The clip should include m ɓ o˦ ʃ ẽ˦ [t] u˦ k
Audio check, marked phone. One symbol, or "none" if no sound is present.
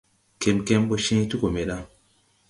t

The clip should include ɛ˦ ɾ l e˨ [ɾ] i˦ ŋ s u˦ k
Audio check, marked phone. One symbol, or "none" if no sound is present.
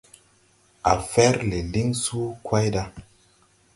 l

